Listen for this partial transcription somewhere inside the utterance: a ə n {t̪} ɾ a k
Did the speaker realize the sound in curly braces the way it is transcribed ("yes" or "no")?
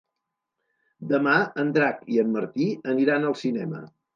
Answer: no